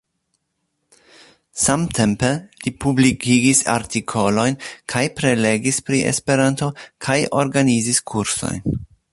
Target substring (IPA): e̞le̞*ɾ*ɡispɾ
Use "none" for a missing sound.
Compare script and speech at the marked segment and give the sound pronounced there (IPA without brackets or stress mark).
none